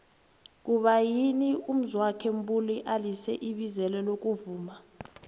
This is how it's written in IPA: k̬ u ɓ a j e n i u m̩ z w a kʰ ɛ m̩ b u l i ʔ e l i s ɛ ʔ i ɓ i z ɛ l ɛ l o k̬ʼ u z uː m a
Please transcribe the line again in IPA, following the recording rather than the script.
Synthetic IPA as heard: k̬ u ɓ a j i n i u m̩ z w a kʰ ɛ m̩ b u l i ʔ a l i s ɛ ʔ i ɓ i z ɛ l ɛ l o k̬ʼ u v uː m a